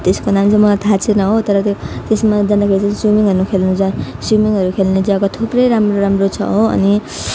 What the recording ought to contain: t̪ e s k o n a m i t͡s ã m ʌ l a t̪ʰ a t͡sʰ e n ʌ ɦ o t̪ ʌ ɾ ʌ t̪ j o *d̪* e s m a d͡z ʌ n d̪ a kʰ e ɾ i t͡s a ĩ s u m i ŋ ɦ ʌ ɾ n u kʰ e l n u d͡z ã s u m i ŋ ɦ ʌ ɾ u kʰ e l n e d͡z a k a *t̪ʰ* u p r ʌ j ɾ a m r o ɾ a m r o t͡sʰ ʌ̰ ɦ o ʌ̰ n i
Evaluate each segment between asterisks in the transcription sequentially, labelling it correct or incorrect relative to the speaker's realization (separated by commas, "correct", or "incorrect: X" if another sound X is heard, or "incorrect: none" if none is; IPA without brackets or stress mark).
incorrect: t̪, correct